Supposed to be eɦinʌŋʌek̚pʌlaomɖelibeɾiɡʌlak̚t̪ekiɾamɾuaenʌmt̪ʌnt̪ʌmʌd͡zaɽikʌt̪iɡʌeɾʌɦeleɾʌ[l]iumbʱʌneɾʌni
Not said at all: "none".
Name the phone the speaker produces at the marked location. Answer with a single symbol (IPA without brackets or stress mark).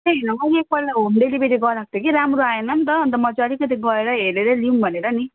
l